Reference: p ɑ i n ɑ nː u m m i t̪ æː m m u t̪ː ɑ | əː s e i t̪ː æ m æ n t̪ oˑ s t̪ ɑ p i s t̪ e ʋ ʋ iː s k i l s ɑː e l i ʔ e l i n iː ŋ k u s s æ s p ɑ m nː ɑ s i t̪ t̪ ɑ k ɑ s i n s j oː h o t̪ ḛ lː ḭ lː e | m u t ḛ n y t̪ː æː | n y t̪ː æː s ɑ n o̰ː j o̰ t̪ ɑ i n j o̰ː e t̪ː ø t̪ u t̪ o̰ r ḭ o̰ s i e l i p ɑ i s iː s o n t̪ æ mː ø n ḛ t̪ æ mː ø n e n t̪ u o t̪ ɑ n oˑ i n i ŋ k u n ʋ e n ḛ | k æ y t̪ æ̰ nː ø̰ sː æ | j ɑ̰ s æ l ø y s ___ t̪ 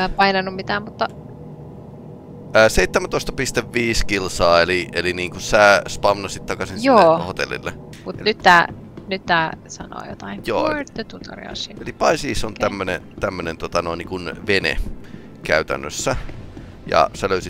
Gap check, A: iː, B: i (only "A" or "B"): B